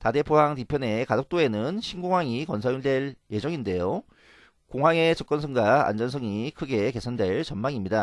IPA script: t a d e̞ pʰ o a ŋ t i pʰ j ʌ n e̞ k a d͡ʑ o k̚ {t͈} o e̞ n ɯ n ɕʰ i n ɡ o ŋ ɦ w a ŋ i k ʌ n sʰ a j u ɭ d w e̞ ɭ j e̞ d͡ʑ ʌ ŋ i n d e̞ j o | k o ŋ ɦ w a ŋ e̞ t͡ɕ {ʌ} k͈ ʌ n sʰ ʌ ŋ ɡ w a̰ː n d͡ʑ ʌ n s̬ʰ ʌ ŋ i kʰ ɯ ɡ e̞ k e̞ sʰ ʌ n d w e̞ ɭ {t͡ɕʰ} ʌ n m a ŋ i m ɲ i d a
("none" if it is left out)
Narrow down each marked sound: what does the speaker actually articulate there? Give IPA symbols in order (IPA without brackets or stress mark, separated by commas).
t͈, ʌ, t͡ɕ